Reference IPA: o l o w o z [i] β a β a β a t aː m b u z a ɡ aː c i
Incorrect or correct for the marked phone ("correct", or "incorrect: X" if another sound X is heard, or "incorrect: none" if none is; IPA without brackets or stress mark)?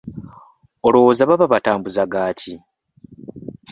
incorrect: a